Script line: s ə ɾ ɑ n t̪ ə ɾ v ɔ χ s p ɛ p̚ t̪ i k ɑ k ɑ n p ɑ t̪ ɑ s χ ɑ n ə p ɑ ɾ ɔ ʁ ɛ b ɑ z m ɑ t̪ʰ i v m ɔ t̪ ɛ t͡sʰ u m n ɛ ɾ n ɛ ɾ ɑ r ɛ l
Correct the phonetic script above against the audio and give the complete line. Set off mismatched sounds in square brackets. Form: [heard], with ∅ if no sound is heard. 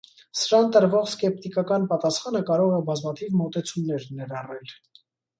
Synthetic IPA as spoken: s ə ɾ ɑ n t̪ ə ɾ v ɔ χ s [k] ɛ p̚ t̪ i k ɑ k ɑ n p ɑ t̪ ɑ s χ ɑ n ə [k] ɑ ɾ ɔ ʁ ɛ b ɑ z m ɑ t̪ʰ i v m ɔ t̪ ɛ t͡sʰ u m n ɛ ɾ n ɛ ɾ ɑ r ɛ l